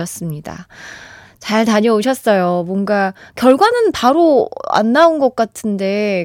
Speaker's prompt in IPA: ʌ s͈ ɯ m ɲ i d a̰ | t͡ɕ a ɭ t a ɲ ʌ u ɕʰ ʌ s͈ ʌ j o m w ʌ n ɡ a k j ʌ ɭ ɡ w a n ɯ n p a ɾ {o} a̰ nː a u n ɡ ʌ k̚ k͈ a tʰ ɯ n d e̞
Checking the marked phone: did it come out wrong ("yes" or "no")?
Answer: no